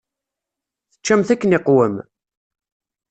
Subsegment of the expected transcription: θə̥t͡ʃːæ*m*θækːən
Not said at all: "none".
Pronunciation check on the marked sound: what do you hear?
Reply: m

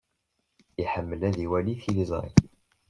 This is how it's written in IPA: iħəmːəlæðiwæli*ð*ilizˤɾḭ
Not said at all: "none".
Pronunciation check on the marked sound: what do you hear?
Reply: θ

